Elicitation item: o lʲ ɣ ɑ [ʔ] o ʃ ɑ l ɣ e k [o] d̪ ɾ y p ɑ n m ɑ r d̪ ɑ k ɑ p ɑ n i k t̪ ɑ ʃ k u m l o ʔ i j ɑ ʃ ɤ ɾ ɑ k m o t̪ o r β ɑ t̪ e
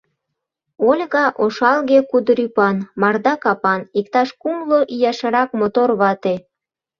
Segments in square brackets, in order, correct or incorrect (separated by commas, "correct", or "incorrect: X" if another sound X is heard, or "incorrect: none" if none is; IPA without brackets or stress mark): correct, incorrect: u